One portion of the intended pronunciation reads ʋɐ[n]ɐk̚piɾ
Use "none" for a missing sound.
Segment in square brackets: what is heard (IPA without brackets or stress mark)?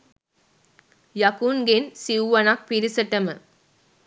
n